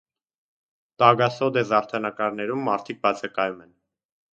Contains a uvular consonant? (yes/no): no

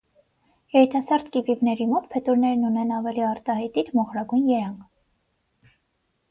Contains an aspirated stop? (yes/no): yes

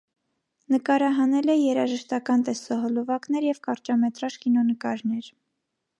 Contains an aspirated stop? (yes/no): no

